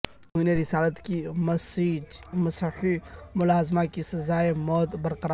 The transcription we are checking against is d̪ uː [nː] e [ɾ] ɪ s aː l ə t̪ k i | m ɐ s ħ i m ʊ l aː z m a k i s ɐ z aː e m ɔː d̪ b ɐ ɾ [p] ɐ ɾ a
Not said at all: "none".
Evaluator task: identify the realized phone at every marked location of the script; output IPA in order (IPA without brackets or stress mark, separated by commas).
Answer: n, ɾ, q